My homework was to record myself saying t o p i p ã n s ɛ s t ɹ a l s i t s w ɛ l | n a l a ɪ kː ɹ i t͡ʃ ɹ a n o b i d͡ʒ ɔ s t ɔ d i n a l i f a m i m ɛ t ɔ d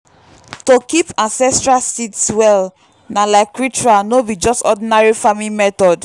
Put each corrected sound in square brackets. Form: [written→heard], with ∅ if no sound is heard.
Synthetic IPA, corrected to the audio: t o [p→k] i p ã n s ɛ s t ɹ a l s i t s w ɛ l | n a l a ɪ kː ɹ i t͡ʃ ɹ a n o b i d͡ʒ ɔ s t ɔ d i n a [l→ɹ] i f a m i m ɛ t ɔ d